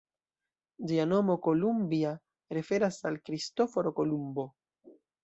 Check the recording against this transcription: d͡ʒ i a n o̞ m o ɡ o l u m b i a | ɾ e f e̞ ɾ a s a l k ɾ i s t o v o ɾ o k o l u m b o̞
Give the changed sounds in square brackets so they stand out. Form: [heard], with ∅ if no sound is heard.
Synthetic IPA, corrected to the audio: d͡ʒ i a n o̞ m o [k] o l u m b i a | ɾ e f e̞ ɾ a s a l k ɾ i s t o [f] o ɾ o k o l u m b o̞